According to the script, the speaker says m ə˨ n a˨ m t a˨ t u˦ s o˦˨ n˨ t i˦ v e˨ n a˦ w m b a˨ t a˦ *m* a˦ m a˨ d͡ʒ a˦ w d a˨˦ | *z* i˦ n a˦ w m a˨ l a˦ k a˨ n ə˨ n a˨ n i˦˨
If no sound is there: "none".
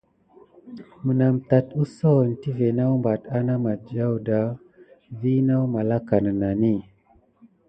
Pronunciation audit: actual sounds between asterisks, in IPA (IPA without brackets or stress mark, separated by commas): n, v